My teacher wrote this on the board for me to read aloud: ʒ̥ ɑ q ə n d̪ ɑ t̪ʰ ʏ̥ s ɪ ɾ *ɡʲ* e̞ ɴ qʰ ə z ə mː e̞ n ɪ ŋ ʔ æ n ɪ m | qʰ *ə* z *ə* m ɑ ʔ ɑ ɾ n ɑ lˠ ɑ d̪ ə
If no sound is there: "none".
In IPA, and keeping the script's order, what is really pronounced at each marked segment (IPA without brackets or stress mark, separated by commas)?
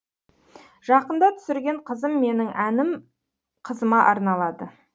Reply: ɡʲ, ə, ə